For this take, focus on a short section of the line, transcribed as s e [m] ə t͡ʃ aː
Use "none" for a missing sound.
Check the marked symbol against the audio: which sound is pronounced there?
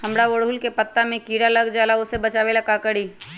b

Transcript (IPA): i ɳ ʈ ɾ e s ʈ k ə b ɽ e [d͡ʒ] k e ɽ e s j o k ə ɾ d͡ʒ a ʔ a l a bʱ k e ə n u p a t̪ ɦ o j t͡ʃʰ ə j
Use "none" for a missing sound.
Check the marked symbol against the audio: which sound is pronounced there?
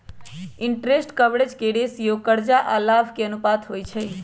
d͡ʒ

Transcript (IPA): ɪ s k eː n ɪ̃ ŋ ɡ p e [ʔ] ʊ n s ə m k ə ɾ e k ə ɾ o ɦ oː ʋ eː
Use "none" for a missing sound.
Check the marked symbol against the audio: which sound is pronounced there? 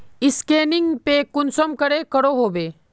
k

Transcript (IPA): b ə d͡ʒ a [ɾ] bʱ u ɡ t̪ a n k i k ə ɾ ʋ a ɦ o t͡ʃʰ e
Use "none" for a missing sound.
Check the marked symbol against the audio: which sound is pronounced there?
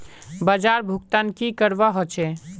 ɾ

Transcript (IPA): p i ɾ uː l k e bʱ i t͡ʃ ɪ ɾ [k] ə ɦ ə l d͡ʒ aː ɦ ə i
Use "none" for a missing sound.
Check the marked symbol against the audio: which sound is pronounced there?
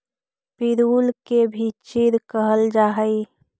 k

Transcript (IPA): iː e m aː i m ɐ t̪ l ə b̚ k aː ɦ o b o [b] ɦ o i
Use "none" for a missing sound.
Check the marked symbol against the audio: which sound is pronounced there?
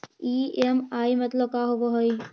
none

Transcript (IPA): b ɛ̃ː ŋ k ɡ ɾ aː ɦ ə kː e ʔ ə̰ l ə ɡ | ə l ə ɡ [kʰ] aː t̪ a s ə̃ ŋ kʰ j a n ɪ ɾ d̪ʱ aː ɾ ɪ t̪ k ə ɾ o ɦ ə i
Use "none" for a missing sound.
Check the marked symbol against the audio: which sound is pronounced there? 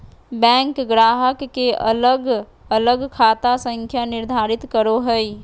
kʰ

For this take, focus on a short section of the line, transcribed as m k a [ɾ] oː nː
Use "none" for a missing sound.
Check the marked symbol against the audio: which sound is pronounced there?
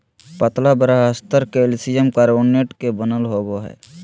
ɾ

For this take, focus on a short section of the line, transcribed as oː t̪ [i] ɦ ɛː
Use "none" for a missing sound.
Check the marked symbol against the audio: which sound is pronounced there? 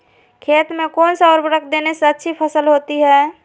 i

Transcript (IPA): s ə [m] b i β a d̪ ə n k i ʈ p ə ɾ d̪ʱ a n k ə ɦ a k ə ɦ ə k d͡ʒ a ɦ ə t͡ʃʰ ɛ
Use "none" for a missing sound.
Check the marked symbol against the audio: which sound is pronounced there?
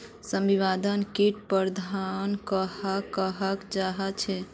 m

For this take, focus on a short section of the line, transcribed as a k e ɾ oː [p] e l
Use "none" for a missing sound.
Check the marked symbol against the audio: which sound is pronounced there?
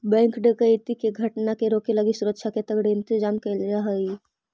k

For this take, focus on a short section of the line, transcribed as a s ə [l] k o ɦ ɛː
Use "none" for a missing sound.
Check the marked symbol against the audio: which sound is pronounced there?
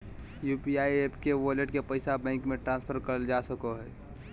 none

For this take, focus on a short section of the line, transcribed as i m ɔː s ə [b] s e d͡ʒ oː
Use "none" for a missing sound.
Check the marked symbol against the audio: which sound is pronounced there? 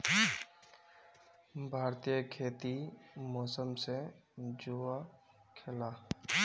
m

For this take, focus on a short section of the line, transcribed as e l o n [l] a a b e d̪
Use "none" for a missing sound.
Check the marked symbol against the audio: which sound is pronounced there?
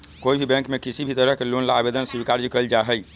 l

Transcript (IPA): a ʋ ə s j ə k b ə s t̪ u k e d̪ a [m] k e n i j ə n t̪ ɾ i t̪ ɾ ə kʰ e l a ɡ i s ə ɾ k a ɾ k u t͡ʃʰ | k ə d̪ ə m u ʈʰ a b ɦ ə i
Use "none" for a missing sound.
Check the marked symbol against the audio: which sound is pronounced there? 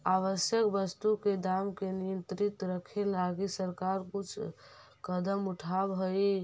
m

